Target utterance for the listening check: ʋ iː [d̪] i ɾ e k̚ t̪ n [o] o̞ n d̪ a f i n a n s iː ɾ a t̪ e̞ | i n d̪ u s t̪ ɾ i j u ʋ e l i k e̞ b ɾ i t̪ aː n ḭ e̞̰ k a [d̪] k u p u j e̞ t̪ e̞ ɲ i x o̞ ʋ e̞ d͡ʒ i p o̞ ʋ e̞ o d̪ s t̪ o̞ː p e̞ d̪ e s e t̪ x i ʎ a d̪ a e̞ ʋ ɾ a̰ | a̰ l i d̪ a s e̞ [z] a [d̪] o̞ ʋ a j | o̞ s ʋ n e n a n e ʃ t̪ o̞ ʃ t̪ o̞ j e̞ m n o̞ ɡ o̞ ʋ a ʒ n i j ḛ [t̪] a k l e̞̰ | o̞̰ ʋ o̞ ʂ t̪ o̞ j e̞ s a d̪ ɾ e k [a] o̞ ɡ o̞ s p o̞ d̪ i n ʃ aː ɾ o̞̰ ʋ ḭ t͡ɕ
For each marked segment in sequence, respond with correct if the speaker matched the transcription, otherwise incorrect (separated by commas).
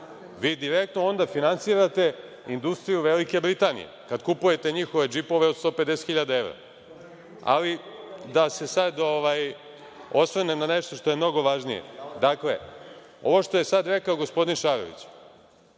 correct, correct, correct, incorrect, correct, incorrect, correct